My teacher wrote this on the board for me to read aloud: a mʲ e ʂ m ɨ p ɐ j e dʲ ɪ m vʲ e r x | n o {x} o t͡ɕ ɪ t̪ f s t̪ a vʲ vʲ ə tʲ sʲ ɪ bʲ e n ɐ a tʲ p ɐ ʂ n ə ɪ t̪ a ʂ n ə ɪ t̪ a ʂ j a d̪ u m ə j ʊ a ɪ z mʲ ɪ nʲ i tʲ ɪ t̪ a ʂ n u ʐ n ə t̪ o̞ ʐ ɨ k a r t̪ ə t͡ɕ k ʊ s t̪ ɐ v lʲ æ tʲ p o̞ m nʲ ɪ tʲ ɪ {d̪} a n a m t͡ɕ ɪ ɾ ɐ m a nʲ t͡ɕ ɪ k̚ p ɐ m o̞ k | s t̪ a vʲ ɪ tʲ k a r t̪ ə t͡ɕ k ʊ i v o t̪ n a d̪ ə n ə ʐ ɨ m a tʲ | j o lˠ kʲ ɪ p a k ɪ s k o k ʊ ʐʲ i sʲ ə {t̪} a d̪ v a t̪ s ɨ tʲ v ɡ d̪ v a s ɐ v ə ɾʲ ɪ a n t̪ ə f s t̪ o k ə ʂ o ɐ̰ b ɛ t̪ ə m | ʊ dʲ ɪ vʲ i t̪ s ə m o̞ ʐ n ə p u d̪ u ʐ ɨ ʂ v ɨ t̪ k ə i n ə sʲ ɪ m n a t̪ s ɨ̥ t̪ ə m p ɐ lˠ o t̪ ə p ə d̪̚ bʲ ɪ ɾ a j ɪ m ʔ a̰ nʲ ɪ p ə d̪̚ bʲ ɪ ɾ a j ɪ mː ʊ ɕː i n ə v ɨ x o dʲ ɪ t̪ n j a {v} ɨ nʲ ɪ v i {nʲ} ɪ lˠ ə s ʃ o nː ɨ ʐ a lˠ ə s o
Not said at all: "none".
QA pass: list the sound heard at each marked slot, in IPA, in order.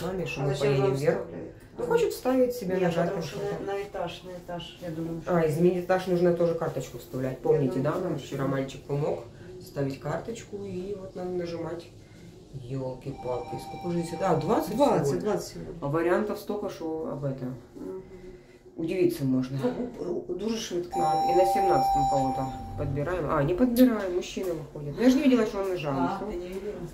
x, d̪, d̪, ʐ, dʲ

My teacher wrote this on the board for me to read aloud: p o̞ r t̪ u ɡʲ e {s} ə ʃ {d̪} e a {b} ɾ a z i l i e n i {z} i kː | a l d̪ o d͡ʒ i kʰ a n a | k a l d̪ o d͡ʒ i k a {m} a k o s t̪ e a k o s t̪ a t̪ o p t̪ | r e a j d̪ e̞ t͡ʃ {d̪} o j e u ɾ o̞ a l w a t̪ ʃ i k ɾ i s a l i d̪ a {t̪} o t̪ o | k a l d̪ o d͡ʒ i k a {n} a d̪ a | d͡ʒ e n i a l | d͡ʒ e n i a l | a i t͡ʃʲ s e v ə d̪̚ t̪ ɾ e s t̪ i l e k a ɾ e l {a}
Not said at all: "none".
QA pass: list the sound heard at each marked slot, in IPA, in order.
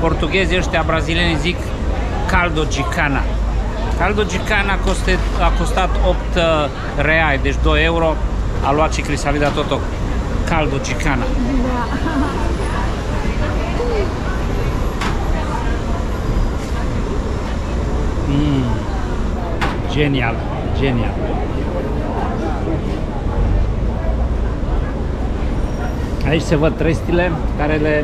z, t̪, b, z, n, d̪, t̪, n, e

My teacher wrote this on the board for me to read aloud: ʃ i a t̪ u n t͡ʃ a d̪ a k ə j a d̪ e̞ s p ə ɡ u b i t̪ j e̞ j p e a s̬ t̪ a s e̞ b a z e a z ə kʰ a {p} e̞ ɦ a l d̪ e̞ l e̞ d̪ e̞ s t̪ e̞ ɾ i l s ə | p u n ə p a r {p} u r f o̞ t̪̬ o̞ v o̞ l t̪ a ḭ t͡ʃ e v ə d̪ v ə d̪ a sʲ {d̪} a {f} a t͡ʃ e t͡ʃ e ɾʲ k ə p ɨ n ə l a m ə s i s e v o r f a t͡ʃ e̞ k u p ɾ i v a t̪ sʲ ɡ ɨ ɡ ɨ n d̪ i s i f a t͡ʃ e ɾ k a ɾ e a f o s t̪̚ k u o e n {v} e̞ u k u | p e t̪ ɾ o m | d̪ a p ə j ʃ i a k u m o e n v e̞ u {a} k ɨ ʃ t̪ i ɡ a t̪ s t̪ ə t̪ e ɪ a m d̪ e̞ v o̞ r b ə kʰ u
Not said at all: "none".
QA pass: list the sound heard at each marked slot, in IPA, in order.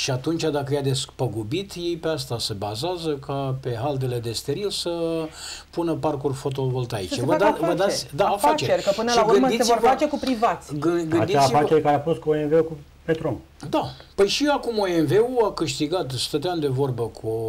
p, k, d̪, f, v, a

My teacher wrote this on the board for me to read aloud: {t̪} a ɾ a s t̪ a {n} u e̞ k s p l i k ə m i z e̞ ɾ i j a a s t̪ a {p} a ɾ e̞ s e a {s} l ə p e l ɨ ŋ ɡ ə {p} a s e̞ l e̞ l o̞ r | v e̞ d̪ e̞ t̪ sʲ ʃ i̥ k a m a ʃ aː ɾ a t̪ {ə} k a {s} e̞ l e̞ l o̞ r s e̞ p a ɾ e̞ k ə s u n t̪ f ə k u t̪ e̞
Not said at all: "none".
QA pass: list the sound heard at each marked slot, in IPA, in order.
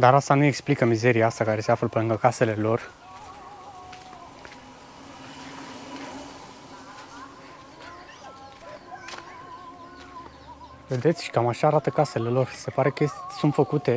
d̪, n, k, f, k, ə, s

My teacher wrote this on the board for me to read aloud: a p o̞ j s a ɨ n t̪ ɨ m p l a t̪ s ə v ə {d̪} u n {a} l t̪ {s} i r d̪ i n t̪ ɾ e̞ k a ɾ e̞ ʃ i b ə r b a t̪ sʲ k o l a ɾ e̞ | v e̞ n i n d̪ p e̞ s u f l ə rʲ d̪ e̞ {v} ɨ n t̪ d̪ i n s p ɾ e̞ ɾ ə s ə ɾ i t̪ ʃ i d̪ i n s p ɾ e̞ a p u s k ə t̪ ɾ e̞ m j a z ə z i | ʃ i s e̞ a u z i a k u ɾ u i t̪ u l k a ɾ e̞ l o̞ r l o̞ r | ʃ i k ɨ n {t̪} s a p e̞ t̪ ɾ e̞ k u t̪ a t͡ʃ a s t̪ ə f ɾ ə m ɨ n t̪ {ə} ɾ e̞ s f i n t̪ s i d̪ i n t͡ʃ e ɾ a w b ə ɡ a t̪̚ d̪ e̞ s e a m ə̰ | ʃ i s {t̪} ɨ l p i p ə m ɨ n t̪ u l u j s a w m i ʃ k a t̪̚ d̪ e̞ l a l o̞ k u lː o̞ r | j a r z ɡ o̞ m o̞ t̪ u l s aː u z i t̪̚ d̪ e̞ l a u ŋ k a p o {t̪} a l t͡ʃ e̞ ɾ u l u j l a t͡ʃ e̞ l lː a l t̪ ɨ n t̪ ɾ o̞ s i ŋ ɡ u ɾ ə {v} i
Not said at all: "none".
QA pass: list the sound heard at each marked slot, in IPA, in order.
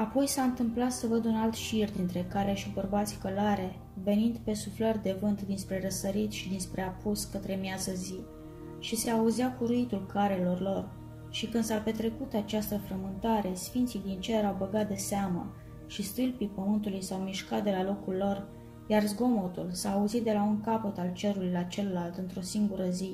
d̪, a, ʃ, v, d̪, a, t̪, t̪, z

